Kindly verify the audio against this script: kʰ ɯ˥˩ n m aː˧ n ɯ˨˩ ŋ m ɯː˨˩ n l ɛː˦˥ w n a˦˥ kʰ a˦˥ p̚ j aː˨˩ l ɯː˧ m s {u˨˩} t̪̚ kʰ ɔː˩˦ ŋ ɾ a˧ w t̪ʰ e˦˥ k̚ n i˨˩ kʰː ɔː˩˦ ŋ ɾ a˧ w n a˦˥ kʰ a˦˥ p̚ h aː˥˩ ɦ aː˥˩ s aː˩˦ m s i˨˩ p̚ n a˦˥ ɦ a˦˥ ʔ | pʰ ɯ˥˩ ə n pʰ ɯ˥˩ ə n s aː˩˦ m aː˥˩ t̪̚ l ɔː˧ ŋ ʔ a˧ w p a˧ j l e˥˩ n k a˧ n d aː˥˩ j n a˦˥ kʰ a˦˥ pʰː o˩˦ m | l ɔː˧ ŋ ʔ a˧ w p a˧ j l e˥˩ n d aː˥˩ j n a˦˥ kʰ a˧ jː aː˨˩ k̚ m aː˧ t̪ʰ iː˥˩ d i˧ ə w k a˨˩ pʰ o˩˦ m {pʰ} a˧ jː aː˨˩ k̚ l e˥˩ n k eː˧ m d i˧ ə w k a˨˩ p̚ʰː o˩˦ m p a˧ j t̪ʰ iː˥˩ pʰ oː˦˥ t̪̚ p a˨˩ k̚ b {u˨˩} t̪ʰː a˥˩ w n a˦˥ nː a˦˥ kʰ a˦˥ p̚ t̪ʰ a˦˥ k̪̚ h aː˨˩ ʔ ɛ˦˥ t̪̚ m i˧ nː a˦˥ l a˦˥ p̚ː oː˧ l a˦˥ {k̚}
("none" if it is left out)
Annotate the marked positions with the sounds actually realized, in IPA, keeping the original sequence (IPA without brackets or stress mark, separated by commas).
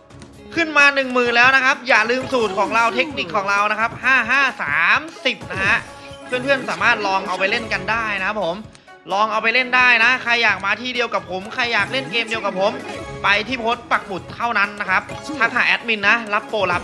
uː˨˩, kʰ, u˨˩, p̚